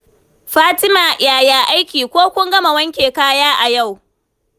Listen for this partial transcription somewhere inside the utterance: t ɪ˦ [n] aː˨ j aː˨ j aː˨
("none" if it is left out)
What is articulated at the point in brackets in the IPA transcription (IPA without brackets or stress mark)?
m